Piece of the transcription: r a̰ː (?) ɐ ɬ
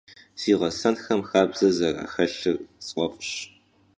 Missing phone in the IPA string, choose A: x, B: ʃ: A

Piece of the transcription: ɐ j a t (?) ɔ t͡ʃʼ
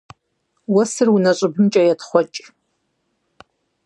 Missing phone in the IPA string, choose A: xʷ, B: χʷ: B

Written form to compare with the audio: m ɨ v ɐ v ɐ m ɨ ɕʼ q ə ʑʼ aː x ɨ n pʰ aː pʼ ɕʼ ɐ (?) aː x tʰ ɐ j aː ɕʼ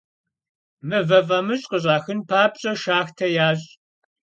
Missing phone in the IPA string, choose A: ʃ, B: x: A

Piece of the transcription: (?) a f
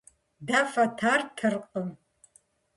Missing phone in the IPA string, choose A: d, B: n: A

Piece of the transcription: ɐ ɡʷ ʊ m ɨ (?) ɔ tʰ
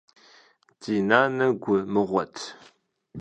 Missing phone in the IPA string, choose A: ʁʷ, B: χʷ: A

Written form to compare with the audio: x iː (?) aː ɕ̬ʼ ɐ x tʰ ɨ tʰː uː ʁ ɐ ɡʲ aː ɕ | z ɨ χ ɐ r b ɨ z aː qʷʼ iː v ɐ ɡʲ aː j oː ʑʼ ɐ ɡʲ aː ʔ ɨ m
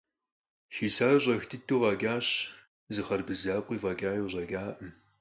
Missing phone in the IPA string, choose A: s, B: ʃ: A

